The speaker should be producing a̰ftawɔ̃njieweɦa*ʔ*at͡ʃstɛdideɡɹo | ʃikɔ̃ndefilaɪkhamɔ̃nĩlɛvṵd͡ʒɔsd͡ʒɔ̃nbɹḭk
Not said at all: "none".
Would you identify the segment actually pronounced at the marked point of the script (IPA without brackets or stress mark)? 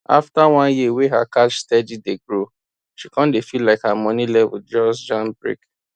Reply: k